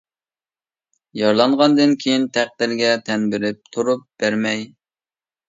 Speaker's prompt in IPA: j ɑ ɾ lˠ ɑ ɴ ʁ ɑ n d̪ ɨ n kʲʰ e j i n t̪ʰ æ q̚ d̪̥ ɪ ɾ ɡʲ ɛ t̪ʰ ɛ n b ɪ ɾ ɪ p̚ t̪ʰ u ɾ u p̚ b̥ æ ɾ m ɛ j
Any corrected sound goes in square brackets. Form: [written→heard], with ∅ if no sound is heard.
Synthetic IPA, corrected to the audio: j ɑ ɾ lˠ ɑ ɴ ʁ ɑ n d̪ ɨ n kʲʰ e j i n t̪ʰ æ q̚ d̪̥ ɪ ɾ ɡʲ ɛ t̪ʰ ɛ n b ɪ ɾ ɪ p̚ t̪ʰ u ɾ u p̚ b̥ æ ɾ m ɛ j